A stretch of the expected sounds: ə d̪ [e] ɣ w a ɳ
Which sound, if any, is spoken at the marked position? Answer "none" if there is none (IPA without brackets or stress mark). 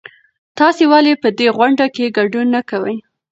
e